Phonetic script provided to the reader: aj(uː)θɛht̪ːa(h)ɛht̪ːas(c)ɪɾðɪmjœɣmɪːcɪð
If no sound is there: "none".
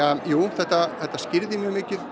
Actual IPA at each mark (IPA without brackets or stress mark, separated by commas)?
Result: uː, θ, c